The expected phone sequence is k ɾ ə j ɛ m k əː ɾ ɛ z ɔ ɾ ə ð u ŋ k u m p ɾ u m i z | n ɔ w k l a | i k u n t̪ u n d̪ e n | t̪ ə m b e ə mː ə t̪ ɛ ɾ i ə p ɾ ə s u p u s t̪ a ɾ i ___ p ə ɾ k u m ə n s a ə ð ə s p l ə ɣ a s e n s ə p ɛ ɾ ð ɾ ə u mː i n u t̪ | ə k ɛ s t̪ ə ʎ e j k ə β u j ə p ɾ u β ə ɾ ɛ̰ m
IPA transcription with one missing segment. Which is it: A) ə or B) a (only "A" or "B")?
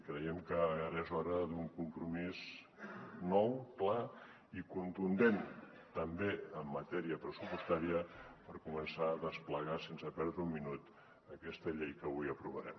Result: A